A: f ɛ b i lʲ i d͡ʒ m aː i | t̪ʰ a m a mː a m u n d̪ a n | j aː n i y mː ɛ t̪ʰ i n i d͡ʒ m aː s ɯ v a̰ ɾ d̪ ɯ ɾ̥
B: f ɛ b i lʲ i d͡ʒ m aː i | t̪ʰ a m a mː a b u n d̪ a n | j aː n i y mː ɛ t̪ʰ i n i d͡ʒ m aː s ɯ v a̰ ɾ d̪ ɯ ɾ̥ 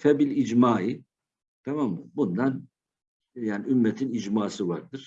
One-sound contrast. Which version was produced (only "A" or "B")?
B